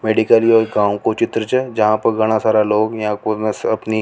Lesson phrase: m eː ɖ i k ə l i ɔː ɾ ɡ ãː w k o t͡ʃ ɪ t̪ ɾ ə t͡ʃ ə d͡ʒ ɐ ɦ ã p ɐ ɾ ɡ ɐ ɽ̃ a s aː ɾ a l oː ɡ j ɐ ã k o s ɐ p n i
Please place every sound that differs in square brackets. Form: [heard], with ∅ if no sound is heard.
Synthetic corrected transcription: m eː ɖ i k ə l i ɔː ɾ ɡ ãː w k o t͡ʃ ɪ t̪ ɾ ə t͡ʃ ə d͡ʒ ɐ ɦ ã p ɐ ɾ ɡ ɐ ɽ̃ a s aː ɾ a l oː ɡ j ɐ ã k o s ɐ p n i